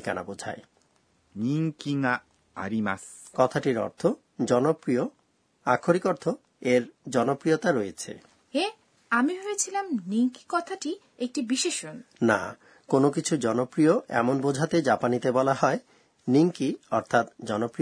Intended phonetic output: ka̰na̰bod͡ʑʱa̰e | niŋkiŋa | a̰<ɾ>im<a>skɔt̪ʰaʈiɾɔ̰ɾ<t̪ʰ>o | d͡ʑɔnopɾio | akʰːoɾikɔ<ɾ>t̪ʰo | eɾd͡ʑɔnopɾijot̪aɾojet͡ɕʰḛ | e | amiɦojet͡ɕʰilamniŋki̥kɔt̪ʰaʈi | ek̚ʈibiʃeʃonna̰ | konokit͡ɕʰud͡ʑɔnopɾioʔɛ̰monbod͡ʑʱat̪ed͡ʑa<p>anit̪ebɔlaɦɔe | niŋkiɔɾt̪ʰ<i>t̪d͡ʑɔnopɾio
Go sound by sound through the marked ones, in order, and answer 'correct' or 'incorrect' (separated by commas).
correct, correct, correct, correct, correct, incorrect